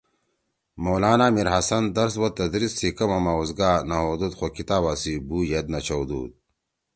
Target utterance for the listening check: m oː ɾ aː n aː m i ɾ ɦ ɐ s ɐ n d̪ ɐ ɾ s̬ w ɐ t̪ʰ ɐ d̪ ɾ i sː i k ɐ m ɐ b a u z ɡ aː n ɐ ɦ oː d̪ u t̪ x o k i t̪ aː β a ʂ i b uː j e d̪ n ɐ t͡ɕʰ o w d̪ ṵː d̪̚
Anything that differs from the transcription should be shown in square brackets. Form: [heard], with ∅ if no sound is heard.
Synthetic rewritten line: m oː [l] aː n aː m i ɾ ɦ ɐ s ɐ n d̪ ɐ ɾ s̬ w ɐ [t̪] ɐ d̪ ɾ i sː i k ɐ m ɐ [m] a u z ɡ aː n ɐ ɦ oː d̪ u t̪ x o k i t̪ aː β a [s] i b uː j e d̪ n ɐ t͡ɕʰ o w d̪ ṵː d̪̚